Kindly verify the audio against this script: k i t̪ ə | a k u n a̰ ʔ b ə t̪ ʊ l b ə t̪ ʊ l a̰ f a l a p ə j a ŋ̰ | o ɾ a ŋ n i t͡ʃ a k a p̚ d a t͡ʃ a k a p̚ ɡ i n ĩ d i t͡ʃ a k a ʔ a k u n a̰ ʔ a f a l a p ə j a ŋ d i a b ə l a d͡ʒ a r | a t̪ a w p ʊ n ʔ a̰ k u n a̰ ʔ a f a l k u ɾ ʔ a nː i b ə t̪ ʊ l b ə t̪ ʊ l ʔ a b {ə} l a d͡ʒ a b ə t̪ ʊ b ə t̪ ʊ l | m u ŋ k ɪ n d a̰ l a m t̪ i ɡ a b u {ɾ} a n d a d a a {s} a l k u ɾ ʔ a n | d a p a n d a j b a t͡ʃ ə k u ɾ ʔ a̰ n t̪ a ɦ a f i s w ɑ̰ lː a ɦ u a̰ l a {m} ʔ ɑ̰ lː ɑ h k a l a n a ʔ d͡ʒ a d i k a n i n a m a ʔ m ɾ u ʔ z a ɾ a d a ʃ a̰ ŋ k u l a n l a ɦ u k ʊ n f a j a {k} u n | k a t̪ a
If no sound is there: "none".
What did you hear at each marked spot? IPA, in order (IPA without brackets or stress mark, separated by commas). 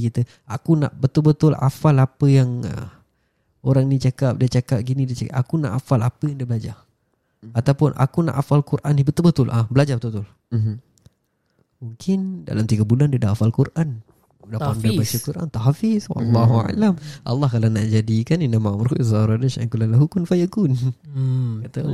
ə, l, f, m, k